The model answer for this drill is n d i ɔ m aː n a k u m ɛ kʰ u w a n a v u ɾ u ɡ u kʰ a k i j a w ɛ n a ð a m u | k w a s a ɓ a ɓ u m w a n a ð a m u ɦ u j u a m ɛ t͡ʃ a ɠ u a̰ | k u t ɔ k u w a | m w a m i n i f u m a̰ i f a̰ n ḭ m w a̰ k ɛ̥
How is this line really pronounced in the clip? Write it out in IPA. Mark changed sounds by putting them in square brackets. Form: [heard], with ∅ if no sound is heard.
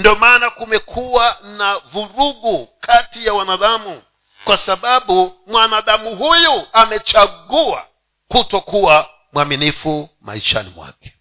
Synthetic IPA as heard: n d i ɔ m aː n a k u m ɛ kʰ u w a n a v u ɾ u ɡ u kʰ a [t] i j a w [a] n a ð a m u | k w a s a ɓ a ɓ u m w a n a ð a m u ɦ u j u a m ɛ t͡ʃ a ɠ u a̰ | k u t ɔ k u w a | m w a m i n i f u m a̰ i [ʃ] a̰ n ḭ m w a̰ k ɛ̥